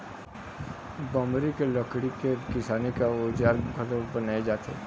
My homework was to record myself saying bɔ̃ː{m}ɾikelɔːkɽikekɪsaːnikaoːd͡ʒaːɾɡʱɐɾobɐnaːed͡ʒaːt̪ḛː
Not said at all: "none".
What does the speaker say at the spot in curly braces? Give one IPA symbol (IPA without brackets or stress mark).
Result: m